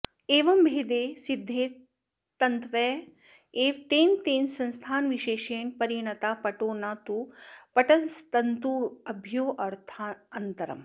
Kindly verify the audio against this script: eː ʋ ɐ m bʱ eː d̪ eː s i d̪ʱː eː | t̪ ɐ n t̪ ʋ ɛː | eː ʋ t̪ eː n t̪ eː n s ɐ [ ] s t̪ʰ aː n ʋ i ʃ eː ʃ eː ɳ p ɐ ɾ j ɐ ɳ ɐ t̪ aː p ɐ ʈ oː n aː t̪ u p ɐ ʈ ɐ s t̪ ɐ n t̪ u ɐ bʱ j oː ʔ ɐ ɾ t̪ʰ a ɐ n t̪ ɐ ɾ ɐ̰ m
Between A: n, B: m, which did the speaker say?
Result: A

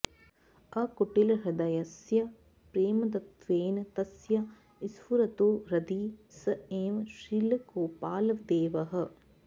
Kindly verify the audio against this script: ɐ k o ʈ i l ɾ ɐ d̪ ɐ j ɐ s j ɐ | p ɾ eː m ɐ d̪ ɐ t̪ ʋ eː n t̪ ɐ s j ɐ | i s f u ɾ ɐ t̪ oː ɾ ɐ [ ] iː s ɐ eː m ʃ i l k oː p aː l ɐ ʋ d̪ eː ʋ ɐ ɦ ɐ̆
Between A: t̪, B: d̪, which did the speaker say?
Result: B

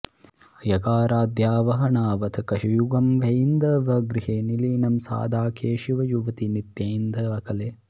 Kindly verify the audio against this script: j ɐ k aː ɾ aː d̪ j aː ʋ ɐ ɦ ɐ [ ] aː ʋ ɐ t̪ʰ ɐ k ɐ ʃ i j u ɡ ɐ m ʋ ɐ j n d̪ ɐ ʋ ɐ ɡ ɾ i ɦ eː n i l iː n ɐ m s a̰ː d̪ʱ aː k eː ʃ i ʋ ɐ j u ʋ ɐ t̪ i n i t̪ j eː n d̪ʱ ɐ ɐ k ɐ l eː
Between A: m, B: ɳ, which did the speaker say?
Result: B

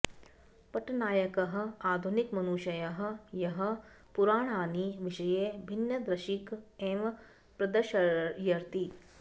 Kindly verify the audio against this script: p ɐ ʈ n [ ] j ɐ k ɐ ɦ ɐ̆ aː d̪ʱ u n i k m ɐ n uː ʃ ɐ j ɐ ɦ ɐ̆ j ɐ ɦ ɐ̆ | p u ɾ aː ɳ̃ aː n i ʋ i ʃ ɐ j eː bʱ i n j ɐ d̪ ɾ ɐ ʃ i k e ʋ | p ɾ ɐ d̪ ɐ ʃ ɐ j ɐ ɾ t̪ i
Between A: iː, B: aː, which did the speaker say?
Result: B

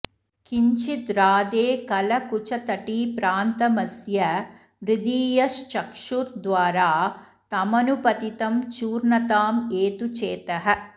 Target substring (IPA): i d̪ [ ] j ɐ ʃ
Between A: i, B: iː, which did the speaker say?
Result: B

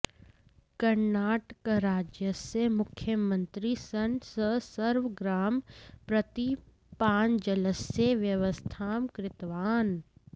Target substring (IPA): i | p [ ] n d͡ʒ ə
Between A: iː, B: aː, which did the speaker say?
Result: B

